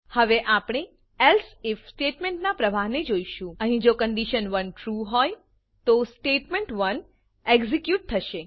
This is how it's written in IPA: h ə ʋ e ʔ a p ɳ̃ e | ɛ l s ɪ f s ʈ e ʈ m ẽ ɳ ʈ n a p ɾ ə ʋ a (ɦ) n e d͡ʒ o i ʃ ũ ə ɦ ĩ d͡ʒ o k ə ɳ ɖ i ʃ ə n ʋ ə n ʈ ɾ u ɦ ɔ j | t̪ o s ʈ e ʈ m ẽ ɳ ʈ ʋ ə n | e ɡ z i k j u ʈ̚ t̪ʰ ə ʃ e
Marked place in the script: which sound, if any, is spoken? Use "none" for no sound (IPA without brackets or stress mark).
ɦ